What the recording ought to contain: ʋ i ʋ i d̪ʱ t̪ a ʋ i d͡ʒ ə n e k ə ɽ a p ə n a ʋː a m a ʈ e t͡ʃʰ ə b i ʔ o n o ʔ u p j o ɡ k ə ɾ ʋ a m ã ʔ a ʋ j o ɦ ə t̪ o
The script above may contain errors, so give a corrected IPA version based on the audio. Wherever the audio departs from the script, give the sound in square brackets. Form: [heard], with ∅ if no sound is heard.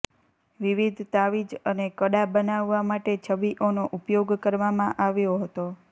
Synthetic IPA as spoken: ʋ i ʋ i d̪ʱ t̪ a ʋ i d͡ʒ ə n e k ə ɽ a [b] ə n a ʋː a m a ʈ e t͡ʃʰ ə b i ʔ o n o ʔ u p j o ɡ k ə ɾ ʋ a m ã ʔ a ʋ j o ɦ ə t̪ o